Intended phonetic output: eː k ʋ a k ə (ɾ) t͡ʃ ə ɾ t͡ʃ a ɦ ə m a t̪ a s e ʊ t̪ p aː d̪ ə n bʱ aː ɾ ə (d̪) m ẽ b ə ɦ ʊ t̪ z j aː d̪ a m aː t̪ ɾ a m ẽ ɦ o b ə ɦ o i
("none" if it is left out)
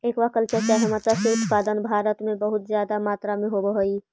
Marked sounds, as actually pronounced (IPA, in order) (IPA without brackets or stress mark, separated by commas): l, t̪